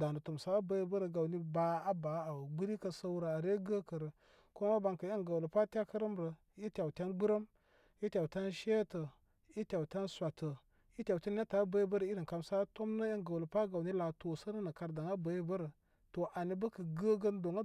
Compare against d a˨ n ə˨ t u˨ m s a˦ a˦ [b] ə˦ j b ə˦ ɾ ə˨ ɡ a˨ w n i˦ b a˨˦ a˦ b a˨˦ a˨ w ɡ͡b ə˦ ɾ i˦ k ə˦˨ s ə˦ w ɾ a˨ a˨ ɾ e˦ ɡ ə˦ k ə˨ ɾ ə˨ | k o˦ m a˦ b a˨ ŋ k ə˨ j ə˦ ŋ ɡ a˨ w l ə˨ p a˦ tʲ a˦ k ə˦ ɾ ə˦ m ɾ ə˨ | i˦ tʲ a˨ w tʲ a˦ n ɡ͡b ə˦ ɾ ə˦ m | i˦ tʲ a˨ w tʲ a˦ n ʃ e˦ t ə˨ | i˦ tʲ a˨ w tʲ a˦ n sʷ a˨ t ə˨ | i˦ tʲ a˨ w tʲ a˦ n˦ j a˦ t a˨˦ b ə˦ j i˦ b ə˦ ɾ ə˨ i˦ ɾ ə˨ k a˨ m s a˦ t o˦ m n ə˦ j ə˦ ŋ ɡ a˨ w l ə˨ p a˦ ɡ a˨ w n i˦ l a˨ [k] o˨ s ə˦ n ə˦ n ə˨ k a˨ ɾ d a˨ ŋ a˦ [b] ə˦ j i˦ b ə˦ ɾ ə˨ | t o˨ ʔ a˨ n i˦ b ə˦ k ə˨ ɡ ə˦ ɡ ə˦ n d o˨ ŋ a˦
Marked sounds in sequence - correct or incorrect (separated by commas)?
correct, incorrect, correct